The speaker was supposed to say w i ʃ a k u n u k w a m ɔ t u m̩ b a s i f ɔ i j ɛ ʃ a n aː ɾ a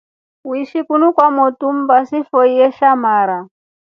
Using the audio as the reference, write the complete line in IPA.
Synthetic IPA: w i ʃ i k u n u k w a m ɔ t u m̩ b a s i f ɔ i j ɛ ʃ a m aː ɾ a